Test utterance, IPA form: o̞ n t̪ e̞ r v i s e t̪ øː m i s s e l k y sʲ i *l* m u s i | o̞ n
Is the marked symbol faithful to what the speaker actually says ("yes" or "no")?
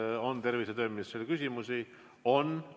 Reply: no